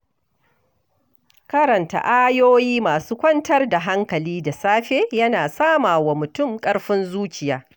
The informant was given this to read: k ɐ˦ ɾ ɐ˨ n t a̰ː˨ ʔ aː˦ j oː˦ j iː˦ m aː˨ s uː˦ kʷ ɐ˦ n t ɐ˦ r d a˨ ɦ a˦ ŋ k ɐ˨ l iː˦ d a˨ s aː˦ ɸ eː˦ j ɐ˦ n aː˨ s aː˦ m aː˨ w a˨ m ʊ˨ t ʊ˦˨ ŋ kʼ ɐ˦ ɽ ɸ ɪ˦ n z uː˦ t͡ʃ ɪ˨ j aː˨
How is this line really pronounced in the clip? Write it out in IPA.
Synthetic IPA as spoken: k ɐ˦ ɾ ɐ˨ n t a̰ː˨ ʔ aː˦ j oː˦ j iː˦ m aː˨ s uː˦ kʷ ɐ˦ n t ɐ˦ r d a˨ ɦ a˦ ŋ k ɐ˨ l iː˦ d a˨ s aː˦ ɸ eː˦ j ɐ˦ n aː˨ s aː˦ m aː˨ w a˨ m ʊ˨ t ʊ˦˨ m kʼ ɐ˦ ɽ ɸ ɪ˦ n z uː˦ t͡ʃ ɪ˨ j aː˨